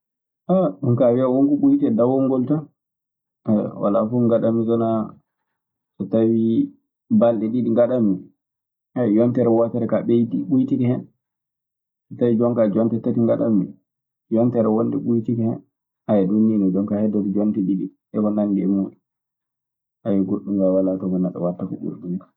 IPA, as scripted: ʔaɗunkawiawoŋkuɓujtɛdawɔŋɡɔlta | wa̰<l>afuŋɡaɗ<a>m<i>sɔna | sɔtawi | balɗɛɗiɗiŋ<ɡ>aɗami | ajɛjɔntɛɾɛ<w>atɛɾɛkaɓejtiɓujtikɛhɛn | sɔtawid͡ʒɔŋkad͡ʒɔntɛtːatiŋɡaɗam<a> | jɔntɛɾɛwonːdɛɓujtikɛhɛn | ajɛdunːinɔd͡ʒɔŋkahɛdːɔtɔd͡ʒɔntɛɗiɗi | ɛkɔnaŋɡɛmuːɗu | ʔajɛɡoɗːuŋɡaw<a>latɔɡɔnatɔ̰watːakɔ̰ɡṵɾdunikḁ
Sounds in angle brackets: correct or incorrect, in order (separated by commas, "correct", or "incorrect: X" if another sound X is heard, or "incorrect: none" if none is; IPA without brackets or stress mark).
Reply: correct, correct, correct, correct, correct, incorrect: i, correct